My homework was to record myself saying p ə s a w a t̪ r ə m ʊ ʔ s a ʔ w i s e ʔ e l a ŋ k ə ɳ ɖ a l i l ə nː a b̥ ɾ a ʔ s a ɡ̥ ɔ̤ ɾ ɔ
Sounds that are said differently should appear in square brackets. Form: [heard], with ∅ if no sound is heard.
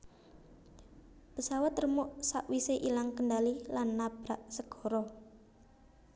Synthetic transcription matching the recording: p ə s a w a t̪ r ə m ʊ ʔ s a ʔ w i s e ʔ [i] l a ŋ k ə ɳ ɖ a l i l [a] nː a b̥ ɾ a ʔ s [ə] ɡ̥ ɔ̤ ɾ ɔ